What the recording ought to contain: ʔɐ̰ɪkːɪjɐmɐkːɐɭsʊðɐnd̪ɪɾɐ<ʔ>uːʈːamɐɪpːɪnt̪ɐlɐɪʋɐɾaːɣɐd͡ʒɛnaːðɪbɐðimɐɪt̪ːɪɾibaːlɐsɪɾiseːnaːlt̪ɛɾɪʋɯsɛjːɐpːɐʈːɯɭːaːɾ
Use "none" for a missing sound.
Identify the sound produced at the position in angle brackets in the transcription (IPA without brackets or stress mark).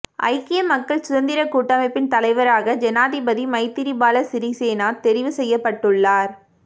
k